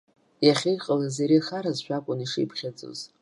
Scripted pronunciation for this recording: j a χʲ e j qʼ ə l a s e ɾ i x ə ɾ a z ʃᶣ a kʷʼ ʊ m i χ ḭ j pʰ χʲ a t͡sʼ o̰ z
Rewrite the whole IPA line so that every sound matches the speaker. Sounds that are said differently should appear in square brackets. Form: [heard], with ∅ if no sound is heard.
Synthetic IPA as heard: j a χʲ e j qʼ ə l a [z] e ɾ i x [a] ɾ a z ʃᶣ a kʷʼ ʊ [n] i [ʂ] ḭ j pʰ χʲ a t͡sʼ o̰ z